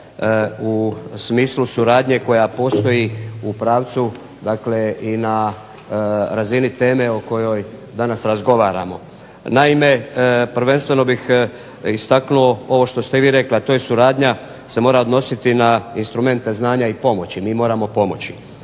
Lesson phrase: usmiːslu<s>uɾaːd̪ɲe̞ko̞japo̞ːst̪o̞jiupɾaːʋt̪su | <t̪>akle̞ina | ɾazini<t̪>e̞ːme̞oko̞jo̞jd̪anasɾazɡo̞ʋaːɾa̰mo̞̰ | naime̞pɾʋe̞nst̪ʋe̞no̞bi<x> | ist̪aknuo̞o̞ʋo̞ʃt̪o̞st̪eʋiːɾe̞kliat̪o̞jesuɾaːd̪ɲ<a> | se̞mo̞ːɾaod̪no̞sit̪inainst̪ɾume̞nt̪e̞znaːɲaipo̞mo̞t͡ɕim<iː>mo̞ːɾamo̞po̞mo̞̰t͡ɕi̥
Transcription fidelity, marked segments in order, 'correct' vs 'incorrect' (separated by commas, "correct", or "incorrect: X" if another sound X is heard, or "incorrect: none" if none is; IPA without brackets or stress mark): correct, incorrect: d̪, correct, correct, correct, correct